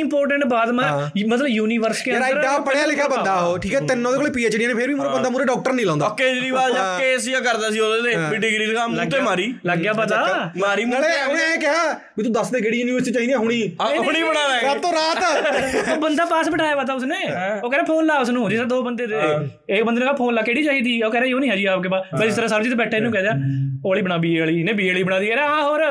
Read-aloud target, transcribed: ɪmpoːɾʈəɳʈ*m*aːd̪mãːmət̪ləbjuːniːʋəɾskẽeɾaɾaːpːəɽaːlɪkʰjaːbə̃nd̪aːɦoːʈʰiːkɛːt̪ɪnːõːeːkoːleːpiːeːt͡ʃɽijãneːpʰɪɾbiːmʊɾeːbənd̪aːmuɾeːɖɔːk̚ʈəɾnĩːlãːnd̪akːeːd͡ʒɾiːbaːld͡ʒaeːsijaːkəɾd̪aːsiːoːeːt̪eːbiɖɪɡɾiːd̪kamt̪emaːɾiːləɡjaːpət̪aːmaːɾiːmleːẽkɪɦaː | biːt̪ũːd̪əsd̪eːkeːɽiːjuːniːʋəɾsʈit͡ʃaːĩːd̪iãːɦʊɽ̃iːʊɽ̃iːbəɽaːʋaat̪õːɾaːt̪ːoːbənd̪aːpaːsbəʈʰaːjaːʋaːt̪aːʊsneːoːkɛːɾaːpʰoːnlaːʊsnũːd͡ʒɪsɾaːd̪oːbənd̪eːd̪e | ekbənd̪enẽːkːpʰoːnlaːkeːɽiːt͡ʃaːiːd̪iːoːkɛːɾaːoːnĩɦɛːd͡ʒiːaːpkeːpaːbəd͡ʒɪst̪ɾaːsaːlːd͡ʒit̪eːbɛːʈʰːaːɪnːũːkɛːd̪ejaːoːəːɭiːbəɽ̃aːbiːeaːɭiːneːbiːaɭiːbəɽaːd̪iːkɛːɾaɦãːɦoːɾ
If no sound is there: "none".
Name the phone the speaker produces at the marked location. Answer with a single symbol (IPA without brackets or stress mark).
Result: b